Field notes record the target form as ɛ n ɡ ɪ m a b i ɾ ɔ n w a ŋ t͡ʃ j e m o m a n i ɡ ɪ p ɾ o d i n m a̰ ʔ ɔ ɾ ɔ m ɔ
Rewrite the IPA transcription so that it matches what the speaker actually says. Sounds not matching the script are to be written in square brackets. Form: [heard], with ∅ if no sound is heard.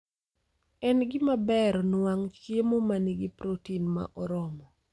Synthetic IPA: ɛ n ɡ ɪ m a b [ɛ] ɾ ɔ n w a ŋ t͡ʃ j e m o m a n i ɡ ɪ p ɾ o [t] i n m a̰ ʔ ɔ ɾ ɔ m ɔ